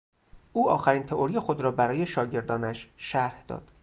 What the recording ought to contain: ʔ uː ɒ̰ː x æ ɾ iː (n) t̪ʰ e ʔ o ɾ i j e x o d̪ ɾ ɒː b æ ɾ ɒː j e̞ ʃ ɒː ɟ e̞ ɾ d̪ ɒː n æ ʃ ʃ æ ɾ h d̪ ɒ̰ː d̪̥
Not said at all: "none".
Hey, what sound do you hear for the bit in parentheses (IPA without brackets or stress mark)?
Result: n